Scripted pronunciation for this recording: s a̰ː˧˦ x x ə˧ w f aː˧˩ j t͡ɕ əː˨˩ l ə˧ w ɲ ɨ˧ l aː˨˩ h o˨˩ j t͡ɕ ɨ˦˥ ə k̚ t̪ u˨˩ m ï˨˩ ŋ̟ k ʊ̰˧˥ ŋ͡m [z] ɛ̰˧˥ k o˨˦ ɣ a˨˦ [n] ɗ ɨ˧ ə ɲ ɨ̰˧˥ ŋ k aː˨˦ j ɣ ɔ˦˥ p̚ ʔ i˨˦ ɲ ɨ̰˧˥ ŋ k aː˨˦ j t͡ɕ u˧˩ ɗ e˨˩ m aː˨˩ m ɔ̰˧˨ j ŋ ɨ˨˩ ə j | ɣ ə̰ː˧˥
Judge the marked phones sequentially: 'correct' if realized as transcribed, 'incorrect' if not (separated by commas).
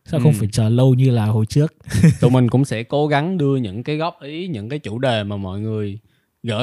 incorrect, incorrect